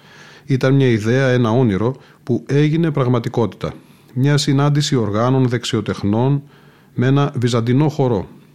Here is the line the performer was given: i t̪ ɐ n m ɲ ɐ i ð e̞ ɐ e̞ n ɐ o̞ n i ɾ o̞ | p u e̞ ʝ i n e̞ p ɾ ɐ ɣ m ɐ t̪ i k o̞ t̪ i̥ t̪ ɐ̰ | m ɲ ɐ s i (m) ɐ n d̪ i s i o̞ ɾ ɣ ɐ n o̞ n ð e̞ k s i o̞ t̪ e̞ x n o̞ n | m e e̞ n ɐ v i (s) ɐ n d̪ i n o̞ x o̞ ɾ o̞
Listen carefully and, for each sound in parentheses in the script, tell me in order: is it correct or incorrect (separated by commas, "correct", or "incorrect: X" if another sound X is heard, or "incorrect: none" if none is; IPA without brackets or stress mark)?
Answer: incorrect: n, incorrect: z